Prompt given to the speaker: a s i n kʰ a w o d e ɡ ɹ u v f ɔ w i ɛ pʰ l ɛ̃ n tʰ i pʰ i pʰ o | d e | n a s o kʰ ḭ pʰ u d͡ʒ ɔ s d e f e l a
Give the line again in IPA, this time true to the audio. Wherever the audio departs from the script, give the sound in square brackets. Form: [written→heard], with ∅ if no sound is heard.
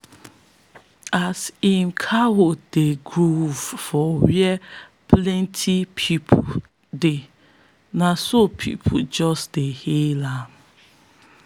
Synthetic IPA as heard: a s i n kʰ a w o d e ɡ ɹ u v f ɔ w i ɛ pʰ l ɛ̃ n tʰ i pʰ i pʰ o | d e | n a s o [kʰ→pʰ] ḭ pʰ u d͡ʒ ɔ s d e [f→h] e l a